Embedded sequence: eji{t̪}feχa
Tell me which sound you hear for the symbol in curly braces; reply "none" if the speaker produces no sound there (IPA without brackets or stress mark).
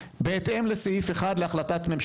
none